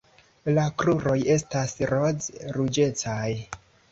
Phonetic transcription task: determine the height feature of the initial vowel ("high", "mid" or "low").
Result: low